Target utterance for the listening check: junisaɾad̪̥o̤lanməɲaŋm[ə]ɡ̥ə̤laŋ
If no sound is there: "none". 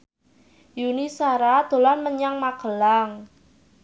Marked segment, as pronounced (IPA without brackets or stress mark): a